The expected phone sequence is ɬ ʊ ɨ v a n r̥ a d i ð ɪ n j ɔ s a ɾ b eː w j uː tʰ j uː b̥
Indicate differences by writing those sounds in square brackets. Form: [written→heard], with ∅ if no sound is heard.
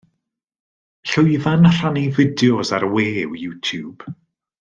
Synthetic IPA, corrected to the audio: ɬ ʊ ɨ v a n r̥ a [d→n] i [ð→v] ɪ [n→d] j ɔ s a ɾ [b→w] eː w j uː tʰ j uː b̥